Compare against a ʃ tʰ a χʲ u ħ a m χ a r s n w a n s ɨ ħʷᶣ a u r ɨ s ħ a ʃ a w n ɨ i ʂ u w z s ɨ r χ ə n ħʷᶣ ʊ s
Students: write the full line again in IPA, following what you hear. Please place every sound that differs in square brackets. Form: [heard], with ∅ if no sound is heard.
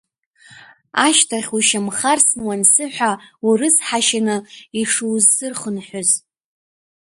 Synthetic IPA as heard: a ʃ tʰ a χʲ u [ʃ] a m χ a r s n w a n s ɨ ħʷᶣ a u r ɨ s ħ a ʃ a [∅] n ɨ i ʂ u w z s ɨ r χ ə n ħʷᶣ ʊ [z]